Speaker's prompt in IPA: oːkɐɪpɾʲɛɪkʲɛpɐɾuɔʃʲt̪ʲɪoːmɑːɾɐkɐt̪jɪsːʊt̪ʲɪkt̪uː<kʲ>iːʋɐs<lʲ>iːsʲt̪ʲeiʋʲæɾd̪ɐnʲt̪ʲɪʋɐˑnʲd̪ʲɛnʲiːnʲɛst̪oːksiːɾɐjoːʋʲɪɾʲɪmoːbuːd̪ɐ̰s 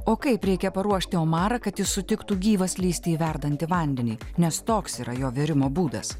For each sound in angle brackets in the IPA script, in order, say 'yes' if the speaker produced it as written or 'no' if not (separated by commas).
no, yes